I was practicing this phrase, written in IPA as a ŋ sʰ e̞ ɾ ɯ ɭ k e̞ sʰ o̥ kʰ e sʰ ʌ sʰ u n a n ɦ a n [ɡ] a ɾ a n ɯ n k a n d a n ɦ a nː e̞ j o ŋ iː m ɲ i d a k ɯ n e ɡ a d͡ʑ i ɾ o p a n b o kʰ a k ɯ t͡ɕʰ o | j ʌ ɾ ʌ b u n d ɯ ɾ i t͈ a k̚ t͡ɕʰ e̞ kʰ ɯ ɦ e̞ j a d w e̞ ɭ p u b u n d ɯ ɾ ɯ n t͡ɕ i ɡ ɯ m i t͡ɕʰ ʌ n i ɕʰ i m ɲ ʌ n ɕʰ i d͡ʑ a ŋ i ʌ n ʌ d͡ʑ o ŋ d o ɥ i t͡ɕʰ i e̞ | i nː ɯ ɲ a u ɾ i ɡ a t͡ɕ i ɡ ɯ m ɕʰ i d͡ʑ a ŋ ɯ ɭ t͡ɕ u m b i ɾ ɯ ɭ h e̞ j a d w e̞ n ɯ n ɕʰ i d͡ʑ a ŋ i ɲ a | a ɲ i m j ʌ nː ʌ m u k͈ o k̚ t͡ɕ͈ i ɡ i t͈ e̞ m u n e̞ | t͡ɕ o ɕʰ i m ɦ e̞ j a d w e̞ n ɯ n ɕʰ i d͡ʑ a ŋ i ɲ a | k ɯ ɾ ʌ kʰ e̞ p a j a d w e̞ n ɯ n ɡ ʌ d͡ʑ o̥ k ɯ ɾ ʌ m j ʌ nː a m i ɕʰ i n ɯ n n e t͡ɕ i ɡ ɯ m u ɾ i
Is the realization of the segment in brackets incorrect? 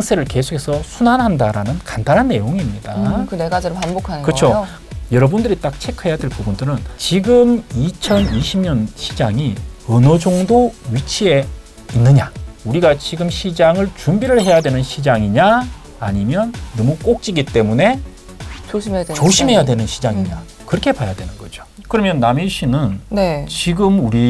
yes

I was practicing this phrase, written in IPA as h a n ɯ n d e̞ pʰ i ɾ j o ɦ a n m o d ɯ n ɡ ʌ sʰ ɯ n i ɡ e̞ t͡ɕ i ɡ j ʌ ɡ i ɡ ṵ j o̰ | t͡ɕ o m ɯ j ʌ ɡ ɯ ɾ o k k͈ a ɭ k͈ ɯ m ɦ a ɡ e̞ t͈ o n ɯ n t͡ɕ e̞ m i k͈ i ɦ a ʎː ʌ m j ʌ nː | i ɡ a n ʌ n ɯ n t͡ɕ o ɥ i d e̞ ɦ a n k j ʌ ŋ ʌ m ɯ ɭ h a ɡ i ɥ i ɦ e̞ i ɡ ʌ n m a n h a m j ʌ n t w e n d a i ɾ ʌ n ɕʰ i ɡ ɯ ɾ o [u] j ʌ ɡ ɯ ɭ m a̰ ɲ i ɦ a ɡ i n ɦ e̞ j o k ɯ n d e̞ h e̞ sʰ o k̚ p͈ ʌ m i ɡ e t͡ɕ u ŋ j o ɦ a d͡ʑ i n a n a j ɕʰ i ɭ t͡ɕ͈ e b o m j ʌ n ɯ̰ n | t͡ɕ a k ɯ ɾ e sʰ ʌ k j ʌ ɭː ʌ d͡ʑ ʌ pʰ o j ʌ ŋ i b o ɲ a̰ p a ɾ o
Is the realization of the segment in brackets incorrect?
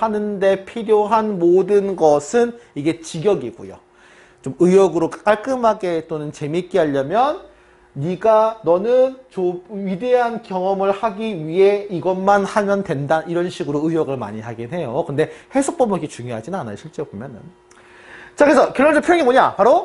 yes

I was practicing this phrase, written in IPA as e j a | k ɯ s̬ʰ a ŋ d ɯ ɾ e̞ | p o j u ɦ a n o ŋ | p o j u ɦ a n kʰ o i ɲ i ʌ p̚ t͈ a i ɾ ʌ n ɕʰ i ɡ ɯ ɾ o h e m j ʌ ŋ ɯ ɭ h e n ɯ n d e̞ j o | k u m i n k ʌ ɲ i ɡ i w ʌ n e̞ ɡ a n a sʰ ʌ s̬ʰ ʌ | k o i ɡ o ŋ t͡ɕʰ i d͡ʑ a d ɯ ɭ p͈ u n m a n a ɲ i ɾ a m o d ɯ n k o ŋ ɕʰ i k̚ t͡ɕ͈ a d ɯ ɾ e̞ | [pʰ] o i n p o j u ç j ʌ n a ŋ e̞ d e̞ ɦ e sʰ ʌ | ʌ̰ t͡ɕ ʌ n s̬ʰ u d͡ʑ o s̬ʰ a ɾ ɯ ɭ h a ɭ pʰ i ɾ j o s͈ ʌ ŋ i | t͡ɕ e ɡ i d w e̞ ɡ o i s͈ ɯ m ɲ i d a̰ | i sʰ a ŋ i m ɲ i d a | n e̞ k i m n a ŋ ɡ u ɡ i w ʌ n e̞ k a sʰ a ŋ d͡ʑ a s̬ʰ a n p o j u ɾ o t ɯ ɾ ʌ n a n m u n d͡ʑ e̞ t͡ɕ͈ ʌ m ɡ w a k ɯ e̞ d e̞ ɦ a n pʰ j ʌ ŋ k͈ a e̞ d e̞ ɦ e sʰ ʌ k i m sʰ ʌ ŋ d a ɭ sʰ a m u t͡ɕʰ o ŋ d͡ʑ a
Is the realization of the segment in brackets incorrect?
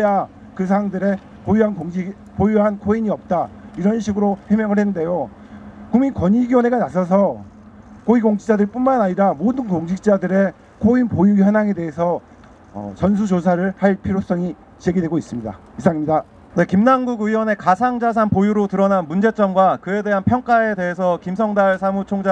yes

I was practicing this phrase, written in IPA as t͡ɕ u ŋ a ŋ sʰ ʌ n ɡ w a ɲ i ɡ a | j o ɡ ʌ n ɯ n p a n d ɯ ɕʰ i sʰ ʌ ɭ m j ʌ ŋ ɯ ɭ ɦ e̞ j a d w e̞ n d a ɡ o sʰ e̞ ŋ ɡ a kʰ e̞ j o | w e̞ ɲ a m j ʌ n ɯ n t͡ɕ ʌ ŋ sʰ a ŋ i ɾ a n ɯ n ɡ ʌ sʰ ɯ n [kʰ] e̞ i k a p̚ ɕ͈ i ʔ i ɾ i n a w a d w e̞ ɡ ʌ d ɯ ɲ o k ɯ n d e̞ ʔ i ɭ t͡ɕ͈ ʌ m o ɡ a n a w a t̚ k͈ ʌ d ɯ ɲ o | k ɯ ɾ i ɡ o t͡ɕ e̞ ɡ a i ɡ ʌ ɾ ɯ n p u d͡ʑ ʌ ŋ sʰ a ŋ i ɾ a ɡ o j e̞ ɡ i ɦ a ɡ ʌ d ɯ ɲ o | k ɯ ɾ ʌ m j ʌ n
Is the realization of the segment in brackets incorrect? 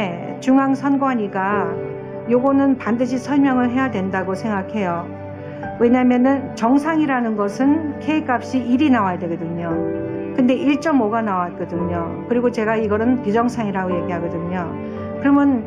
no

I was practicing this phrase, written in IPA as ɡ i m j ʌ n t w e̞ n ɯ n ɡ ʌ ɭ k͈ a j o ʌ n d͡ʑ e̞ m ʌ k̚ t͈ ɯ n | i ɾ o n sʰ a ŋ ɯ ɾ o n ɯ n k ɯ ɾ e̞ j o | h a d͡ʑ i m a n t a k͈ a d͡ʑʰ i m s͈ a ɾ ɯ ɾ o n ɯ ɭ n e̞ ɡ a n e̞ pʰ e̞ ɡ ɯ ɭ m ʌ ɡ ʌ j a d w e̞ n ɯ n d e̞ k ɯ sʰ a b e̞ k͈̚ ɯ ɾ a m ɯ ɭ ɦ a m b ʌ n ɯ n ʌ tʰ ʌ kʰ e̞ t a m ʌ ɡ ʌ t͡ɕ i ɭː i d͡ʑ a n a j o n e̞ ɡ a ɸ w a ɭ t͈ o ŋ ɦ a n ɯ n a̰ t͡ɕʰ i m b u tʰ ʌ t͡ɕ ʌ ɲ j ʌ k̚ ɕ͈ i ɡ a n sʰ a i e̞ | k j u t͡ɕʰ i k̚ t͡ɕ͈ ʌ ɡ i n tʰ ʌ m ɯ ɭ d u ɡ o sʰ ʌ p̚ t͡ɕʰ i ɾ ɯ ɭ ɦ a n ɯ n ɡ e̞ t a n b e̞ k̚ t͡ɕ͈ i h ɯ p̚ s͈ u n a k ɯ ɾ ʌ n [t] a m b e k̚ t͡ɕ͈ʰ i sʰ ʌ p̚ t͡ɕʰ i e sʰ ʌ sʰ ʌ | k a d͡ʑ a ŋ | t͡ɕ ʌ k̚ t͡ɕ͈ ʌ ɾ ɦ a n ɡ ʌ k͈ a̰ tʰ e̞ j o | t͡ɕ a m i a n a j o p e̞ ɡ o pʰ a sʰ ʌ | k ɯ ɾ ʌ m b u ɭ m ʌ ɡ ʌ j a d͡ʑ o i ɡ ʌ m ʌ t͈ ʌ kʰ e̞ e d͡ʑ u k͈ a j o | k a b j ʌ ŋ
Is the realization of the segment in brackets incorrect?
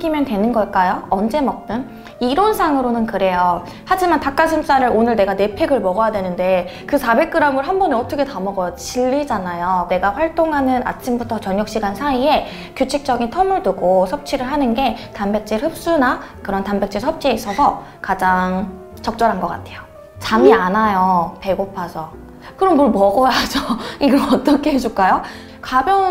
no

